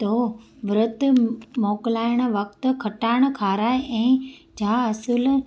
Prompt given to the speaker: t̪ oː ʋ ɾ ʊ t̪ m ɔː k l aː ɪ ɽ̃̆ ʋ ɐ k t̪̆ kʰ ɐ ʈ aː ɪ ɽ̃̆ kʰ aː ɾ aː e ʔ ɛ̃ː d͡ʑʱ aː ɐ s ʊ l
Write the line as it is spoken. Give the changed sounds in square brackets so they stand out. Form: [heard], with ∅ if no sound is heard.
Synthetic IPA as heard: t̪ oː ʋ ɾ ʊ t̪ m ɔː k l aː ɪ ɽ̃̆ ʋ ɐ k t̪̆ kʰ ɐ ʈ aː ɪ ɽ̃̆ kʰ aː ɾ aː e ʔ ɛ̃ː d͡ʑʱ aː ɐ s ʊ l